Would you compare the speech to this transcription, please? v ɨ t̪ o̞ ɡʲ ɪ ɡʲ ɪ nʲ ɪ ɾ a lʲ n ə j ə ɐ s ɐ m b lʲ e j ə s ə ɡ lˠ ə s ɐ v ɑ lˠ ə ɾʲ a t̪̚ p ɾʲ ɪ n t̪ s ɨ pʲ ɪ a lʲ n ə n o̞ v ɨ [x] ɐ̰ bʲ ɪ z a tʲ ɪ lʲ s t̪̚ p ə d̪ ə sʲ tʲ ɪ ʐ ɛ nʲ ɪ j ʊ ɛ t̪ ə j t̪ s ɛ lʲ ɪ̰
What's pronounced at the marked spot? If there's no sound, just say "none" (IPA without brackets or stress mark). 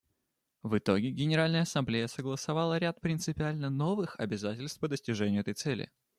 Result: x